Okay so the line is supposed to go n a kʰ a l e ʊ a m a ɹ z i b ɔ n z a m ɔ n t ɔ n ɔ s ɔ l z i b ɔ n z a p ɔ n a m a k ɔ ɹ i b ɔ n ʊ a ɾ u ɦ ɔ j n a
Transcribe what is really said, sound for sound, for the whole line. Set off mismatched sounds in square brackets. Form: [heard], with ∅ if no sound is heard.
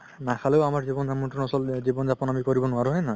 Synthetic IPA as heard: n a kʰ a l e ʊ a m a ɹ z i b ɔ n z a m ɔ n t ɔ n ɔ s ɔ l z i b ɔ n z a p ɔ n a m [i] k ɔ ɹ i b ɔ n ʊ a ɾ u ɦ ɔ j n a